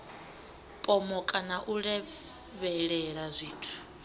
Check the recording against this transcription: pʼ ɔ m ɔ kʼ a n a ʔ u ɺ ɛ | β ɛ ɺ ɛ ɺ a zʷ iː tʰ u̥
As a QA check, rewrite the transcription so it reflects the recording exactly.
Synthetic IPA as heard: pʼ ɔ m ɔ kʼ a n a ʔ u ɺ ɛ | β ɛ ɺ ɛ ɺ a zʷ iː tʰ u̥